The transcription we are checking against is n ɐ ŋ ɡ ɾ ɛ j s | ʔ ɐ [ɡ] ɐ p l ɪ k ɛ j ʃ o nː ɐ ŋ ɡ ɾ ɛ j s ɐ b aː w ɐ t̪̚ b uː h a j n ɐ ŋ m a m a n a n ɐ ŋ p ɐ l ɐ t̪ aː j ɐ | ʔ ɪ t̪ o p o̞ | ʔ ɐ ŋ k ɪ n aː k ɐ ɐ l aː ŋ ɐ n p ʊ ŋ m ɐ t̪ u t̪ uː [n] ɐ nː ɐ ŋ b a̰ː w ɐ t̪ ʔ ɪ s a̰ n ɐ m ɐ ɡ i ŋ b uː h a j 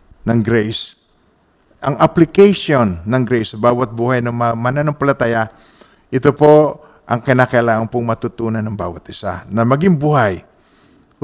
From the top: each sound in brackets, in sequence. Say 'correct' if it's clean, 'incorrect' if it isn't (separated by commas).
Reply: incorrect, correct